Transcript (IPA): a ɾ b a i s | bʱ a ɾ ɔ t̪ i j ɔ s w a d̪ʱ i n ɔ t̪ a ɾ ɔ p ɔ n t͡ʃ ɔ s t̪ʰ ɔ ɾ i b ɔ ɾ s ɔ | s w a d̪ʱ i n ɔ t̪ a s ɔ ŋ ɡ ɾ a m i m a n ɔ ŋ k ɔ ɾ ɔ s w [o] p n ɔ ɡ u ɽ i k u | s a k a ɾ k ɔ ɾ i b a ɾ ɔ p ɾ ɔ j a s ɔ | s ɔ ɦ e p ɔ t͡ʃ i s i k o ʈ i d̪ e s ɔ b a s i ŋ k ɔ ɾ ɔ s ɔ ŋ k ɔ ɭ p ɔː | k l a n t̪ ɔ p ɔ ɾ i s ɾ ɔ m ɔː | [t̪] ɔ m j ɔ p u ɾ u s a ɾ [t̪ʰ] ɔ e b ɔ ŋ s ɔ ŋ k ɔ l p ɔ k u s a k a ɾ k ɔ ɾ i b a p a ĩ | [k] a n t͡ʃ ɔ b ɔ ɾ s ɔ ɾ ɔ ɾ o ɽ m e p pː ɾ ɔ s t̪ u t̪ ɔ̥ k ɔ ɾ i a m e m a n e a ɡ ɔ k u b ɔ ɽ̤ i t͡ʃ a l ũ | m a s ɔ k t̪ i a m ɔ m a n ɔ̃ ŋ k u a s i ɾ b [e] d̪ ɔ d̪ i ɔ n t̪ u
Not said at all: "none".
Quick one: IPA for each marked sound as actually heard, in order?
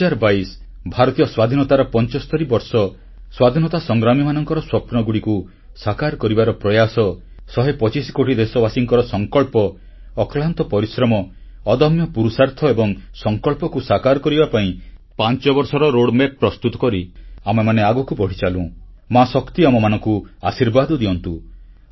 ɔ, d̪, t̪ʰ, p, a

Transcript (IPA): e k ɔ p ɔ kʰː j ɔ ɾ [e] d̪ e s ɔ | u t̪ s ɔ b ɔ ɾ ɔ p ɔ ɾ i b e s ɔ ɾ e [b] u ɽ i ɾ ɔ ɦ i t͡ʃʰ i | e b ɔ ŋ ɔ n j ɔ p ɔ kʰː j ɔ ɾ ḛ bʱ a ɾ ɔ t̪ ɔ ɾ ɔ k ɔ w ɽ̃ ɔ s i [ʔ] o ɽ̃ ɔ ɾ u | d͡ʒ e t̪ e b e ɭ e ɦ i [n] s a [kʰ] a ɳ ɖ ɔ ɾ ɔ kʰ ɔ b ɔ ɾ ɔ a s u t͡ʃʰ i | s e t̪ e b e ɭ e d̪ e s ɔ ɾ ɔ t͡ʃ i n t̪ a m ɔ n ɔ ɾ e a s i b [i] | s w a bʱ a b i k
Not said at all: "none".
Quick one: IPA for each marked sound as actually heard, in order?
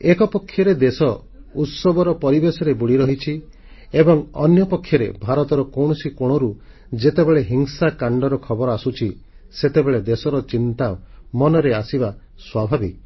e, b, k, ŋ, k, a

